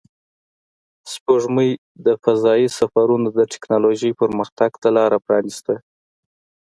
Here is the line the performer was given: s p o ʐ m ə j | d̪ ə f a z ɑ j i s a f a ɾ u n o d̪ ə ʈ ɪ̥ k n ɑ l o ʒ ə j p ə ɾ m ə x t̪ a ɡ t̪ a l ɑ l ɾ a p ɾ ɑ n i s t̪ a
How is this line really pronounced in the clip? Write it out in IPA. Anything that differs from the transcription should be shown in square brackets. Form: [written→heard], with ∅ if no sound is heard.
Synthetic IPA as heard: s p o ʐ m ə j | d̪ ə f a z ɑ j i s a f a ɾ u n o d̪ ə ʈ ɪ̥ k n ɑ l o ʒ ə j p ə ɾ m ə x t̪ a ɡ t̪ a l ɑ [l→∅] ɾ a p ɾ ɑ n i s t̪ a

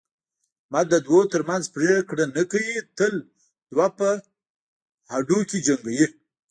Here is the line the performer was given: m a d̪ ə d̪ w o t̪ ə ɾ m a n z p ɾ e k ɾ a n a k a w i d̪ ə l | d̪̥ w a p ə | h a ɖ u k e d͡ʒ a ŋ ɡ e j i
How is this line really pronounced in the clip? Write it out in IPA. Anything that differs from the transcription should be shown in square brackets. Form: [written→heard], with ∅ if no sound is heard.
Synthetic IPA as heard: m a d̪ ə d̪ w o t̪ ə ɾ m a n z p ɾ e k [ɾ→ɽ] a n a k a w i [d̪→t̪] ə l | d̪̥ w a p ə | h a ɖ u k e d͡ʒ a ŋ ɡ [e→a] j i

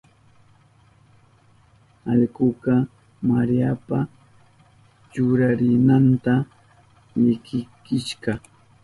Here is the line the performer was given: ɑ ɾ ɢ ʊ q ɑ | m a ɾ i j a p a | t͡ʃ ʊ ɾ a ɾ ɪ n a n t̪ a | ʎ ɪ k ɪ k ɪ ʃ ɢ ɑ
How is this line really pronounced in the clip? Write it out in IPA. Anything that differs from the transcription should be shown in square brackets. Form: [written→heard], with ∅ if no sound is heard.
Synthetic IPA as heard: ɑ [ɾ→ʎ] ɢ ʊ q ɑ | m a ɾ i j a p a | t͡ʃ ʊ ɾ a ɾ ɪ n a n t̪ a | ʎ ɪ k ɪ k ɪ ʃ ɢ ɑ

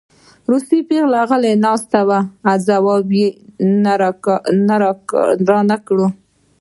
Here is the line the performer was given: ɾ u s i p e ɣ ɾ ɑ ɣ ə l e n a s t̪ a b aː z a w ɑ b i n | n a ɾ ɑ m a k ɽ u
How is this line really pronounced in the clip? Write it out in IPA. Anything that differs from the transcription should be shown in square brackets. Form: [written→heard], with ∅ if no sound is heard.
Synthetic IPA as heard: ɾ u s i p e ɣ [ɾ→l] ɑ ɣ ə l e n [a→ɑ] s t̪ a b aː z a w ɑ b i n | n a ɾ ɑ [m→n] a k ɽ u

